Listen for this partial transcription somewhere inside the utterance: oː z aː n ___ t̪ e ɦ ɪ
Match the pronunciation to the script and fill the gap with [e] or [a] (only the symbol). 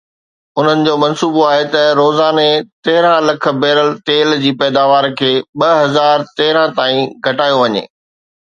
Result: e